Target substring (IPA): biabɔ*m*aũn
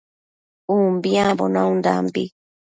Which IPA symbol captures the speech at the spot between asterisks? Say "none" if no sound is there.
n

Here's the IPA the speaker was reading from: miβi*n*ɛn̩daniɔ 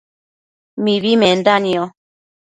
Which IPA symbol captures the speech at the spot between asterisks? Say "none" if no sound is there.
m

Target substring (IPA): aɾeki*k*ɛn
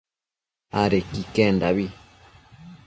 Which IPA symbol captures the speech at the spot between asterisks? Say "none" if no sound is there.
k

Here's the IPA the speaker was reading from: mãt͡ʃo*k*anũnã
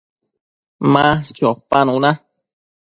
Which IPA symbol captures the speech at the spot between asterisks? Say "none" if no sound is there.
p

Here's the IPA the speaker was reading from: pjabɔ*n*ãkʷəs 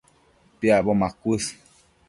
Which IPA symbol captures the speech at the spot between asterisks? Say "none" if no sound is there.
m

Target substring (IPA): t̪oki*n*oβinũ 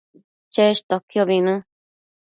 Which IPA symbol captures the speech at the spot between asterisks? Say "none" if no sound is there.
none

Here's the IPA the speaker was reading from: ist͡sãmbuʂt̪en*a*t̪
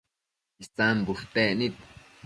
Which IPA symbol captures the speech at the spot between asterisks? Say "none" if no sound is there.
i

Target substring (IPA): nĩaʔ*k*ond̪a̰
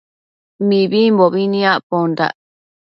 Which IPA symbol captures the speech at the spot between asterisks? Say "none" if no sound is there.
p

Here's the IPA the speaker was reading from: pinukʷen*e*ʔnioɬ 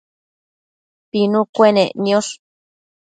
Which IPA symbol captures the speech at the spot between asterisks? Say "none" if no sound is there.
e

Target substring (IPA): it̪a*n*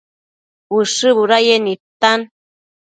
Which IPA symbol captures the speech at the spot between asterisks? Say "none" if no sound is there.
n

